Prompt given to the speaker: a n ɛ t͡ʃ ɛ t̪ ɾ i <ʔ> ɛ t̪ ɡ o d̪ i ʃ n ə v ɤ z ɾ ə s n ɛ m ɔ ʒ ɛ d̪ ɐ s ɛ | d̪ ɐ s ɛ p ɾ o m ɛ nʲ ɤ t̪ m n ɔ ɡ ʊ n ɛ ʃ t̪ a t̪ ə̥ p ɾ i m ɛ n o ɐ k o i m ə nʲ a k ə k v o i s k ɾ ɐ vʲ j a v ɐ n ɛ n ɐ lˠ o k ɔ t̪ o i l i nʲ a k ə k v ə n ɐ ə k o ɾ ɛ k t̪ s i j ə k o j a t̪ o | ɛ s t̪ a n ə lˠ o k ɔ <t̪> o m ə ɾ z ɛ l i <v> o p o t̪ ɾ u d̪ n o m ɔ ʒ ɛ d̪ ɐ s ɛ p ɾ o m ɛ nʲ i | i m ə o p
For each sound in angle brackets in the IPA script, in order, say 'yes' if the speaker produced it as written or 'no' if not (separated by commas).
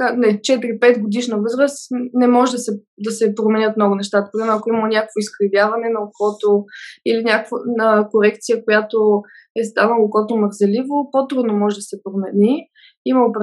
no, yes, yes